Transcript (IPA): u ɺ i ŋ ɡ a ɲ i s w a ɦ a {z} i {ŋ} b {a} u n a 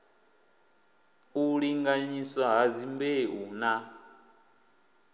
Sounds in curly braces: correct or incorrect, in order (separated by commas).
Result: correct, incorrect, incorrect